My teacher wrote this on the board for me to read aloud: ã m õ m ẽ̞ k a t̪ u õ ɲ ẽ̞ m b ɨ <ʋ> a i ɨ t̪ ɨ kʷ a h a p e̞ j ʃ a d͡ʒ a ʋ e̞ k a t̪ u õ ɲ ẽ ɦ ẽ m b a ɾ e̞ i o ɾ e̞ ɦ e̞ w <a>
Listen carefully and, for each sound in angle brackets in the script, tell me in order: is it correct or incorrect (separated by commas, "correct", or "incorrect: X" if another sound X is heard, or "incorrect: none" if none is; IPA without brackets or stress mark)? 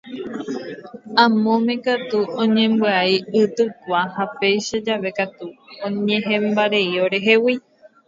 incorrect: none, incorrect: i